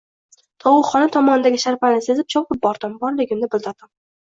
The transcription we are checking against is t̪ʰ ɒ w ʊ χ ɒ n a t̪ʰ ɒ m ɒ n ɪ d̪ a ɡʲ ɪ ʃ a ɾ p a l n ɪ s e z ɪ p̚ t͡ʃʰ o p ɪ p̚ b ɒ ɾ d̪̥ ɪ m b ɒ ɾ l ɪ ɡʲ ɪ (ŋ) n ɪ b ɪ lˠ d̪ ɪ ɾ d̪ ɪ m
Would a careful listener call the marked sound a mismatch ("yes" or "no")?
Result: yes